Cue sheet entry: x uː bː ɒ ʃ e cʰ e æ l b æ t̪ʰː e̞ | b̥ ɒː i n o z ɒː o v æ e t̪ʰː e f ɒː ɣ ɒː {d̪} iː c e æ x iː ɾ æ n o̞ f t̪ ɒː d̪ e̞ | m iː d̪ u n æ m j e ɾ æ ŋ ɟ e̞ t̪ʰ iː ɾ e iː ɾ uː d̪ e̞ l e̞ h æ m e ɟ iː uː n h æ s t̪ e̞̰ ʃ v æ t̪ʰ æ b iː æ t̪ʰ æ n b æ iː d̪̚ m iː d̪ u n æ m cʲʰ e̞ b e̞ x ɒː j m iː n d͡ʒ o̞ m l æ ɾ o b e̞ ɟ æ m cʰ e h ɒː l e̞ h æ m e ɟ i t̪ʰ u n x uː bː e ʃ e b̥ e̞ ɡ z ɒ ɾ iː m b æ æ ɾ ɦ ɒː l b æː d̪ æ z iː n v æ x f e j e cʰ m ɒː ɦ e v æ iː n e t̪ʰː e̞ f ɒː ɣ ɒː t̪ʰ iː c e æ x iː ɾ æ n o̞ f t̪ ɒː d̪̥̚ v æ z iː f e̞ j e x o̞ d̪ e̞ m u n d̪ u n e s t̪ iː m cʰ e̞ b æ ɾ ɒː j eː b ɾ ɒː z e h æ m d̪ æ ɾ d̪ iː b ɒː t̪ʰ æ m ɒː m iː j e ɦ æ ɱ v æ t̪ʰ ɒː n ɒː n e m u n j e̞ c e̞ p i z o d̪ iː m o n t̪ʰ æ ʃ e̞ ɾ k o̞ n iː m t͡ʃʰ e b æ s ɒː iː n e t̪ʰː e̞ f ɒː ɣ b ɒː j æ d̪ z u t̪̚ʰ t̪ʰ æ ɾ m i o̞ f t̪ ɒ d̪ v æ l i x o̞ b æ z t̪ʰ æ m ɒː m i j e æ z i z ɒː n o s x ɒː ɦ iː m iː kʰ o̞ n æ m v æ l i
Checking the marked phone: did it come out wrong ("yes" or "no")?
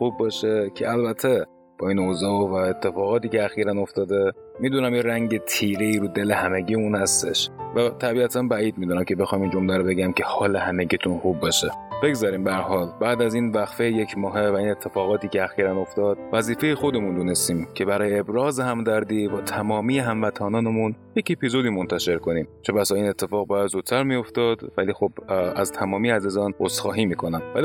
yes